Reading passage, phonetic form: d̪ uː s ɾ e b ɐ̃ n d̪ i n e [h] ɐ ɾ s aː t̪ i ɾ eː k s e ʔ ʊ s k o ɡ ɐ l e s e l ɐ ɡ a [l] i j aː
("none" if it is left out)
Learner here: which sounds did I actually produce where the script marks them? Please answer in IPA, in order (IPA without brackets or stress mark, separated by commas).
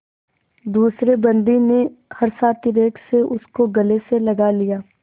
h, l